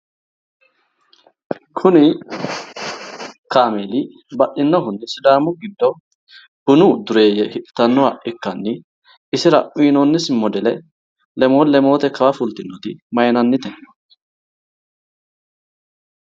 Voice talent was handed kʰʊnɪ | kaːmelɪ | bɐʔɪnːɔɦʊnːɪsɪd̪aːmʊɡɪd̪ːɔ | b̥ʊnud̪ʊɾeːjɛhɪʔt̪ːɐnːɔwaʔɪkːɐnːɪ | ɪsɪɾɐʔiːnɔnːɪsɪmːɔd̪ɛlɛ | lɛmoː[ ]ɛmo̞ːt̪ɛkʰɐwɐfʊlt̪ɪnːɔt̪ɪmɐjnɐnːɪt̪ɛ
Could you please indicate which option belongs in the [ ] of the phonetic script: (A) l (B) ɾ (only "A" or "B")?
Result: A